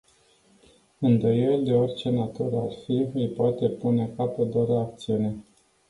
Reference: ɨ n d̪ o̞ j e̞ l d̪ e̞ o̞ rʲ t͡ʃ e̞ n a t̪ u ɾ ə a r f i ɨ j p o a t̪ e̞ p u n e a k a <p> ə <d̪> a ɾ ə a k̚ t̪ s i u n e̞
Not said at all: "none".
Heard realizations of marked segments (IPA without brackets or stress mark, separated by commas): p, d̪